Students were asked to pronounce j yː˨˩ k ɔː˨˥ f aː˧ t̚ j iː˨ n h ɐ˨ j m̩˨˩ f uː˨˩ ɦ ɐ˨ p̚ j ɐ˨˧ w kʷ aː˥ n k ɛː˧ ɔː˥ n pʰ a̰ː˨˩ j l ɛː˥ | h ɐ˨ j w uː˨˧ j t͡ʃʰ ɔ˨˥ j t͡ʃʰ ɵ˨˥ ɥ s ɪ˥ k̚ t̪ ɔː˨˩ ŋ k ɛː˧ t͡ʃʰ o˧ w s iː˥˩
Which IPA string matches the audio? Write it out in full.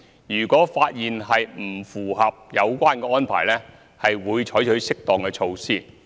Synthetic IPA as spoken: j yː˨˩ k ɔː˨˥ f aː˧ t̚ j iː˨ n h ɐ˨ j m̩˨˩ f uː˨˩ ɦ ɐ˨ p̚ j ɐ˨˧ w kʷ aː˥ n k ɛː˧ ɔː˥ n pʰ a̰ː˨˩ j l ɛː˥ | h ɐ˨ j w uː˨˧ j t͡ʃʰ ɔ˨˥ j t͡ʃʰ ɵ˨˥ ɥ s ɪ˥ k̚ t̪ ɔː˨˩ ŋ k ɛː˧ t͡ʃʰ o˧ w s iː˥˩